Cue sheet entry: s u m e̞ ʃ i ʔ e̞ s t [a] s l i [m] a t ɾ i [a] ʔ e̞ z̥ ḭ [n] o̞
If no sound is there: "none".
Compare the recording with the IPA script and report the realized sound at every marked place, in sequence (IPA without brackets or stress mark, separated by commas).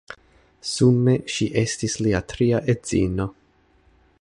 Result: i, none, a, n